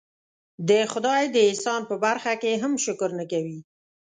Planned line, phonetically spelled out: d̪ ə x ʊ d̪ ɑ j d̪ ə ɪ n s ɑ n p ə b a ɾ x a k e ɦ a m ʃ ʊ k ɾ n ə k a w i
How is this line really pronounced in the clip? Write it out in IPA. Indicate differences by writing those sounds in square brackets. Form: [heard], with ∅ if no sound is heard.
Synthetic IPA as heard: d̪ ə x ʊ d̪ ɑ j d̪ ə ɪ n s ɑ n p ə b a ɾ x a k e ɦ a m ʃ ʊ k ɾ n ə k a w i